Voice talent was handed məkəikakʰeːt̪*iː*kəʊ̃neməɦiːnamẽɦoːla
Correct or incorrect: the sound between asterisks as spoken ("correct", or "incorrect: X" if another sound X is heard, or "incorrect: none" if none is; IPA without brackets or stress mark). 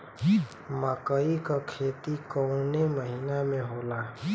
incorrect: i